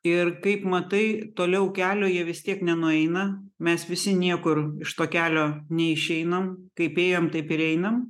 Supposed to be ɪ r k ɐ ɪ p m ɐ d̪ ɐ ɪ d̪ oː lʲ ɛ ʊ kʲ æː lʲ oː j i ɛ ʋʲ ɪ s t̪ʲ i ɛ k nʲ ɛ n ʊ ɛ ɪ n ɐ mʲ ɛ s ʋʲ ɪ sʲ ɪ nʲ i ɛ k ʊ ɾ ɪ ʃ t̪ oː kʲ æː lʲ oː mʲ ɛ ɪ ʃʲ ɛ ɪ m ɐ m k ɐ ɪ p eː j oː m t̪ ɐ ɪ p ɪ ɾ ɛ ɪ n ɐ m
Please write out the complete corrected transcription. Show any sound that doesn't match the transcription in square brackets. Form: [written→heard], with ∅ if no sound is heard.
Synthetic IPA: ɪ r k ɐ ɪ p m ɐ [d̪→t̪] ɐ ɪ [d̪→t̪] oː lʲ ɛ ʊ kʲ æː lʲ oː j i ɛ ʋʲ ɪ s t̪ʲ i ɛ k nʲ ɛ n ʊ ɛ ɪ n ɐ mʲ ɛ s ʋʲ ɪ sʲ ɪ nʲ i ɛ k ʊ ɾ ɪ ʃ t̪ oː kʲ æː lʲ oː [mʲ→nʲ] ɛ ɪ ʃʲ ɛ ɪ [m→n] ɐ m k ɐ ɪ p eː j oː m t̪ ɐ ɪ p ɪ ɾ ɛ ɪ n ɐ m

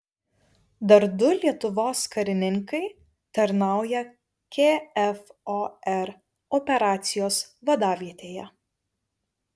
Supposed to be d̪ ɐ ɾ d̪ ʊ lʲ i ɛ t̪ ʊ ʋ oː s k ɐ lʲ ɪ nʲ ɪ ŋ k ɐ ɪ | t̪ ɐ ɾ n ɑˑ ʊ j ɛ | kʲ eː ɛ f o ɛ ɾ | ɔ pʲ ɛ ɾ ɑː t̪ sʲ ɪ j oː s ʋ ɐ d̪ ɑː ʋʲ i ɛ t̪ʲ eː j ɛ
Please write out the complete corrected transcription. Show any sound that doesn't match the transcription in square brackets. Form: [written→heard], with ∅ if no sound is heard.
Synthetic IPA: d̪ ɐ ɾ d̪ ʊ lʲ i ɛ t̪ ʊ ʋ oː s k ɐ [lʲ→ɾʲ] ɪ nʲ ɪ ŋ k ɐ ɪ | t̪ ɐ ɾ n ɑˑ ʊ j ɛ | kʲ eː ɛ f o ɛ ɾ | ɔ pʲ ɛ ɾ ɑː t̪ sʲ ɪ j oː s ʋ ɐ d̪ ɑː ʋʲ i ɛ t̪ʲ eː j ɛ

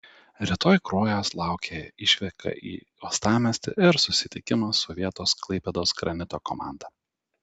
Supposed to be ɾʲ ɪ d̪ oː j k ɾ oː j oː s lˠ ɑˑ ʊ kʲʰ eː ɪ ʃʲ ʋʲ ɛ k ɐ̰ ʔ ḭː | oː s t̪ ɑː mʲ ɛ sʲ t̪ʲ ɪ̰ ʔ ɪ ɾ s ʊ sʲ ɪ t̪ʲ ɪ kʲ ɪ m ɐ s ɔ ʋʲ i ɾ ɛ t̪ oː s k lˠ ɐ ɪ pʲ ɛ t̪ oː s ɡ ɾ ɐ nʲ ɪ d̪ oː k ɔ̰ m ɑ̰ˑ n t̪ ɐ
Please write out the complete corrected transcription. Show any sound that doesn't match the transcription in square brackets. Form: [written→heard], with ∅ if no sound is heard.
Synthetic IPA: ɾʲ ɪ [d̪→t̪] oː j k ɾ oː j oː s lˠ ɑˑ ʊ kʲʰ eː ɪ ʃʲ ʋʲ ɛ k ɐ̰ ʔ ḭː | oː s t̪ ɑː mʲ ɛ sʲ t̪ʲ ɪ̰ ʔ ɪ ɾ s ʊ sʲ ɪ t̪ʲ ɪ kʲ ɪ m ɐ s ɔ ʋʲ i [ɾ→∅] ɛ t̪ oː s k lˠ ɐ ɪ pʲ ɛ [t̪→d̪] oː s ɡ ɾ ɐ nʲ ɪ [d̪→t̪] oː k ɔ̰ m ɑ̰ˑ n [t̪→d̪] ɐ

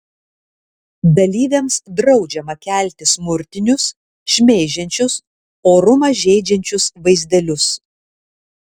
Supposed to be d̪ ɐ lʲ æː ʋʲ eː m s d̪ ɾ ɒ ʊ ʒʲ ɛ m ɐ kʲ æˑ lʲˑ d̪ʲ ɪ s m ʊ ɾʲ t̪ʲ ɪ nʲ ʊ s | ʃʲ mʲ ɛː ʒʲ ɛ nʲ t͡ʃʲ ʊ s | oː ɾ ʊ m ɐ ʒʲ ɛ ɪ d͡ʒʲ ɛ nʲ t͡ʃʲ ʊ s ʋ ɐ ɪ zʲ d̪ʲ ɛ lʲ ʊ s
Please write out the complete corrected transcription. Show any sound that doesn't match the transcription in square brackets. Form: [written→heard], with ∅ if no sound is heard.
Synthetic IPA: d̪ ɐ lʲ [æː→iː] ʋʲ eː m s d̪ ɾ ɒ ʊ [ʒʲ→d͡ʒʲ] ɛ m ɐ kʲ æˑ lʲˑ [d̪ʲ→t̪ʲ] ɪ s m ʊ ɾʲ t̪ʲ ɪ nʲ ʊ s | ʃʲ mʲ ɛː ʒʲ ɛ nʲ t͡ʃʲ ʊ s | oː ɾ ʊ m ɐ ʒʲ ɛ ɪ d͡ʒʲ ɛ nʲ t͡ʃʲ ʊ s ʋ ɐ ɪ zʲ d̪ʲ ɛ lʲ ʊ s

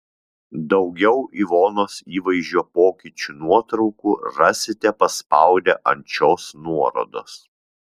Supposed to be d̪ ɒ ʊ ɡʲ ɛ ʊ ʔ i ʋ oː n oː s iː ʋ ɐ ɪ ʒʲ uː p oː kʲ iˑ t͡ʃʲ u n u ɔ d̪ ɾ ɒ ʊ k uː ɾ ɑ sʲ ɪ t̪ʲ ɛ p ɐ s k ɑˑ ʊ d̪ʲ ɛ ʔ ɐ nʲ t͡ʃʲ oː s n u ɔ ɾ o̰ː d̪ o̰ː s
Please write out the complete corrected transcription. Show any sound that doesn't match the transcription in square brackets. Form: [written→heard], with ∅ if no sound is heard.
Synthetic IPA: d̪ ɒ ʊ ɡʲ ɛ ʊ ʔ i ʋ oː n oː s iː ʋ ɐ ɪ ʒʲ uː p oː kʲ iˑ t͡ʃʲ u n u ɔ [d̪→t̪] ɾ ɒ ʊ k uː ɾ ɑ sʲ ɪ t̪ʲ ɛ p ɐ s [k→p] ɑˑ ʊ d̪ʲ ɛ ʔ ɐ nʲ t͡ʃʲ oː s n u ɔ ɾ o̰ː d̪ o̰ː s

